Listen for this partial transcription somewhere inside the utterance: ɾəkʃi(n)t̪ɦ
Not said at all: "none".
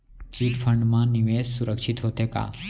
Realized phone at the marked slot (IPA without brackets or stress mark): none